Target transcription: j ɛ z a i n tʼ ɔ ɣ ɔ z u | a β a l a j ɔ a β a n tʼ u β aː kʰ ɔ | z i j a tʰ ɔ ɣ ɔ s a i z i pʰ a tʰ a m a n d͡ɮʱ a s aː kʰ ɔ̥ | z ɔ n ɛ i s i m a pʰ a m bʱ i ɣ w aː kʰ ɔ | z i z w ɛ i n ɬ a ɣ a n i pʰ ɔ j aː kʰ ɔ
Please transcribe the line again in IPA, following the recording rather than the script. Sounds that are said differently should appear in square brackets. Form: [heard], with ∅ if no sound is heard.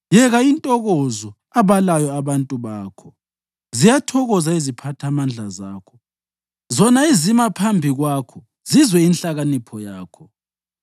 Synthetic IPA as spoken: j ɛ [ɣ] a i n tʼ ɔ ɣ ɔ z [ɔ] | a β a l a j ɔ a β a n tʼ u β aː kʰ ɔ | z i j a tʰ ɔ ɣ ɔ [z] a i z i pʰ a tʰ a m a n d͡ɮʱ a [z] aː kʰ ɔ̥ | z ɔ n [a] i [z] i m a pʰ a m bʱ i ɣ w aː kʰ ɔ | z i z w ɛ i n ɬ a ɣ a n i pʰ ɔ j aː kʰ ɔ